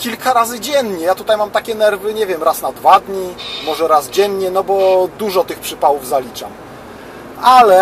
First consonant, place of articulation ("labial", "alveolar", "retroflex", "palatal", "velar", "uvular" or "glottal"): velar